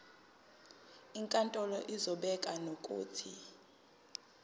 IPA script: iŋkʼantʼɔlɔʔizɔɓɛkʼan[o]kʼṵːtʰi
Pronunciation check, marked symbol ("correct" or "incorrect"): correct